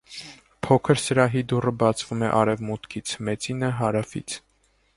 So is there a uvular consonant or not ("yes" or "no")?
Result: no